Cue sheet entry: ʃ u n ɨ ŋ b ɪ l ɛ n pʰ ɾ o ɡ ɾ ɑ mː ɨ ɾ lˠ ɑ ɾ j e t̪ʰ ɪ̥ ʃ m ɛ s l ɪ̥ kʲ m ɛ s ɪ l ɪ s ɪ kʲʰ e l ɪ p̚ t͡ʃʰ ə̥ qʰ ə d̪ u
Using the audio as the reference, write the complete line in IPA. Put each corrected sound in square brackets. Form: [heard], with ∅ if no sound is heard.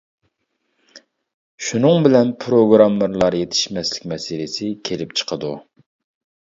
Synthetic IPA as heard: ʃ u n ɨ ŋ b ɪ l ɛ n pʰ ɾ o ɡ ɾ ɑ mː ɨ ɾ lˠ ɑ ɾ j e t̪ʰ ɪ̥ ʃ m ɛ s l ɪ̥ kʲ m ɛ s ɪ l ɪ s ɪ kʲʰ e l ɪ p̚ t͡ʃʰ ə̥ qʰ ə d̪ u